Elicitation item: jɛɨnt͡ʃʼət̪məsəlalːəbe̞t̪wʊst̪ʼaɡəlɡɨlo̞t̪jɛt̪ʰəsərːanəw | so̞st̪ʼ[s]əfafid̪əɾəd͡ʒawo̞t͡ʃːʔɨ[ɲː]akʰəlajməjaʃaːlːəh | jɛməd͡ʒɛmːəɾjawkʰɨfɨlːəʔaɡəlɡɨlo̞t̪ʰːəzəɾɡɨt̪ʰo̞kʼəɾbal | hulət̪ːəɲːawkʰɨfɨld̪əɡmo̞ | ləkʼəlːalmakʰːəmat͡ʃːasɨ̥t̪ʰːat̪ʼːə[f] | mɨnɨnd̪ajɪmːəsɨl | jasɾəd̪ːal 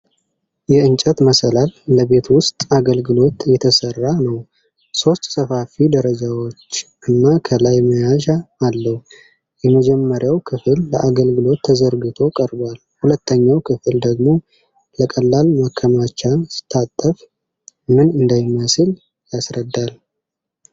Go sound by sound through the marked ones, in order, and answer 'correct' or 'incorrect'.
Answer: correct, incorrect, correct

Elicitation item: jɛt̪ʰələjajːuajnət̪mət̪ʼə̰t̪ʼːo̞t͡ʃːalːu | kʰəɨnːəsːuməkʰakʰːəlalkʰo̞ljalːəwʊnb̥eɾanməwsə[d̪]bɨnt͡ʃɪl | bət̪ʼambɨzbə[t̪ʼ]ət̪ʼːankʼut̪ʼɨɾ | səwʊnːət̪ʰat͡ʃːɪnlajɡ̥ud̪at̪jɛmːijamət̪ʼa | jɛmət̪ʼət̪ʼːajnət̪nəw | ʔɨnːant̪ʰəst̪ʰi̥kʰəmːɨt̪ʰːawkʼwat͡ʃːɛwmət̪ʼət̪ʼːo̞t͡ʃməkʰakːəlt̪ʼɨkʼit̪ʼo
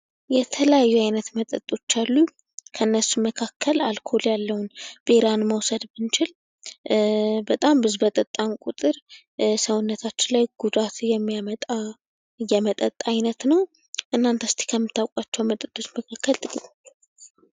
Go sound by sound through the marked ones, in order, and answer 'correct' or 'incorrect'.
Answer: correct, correct

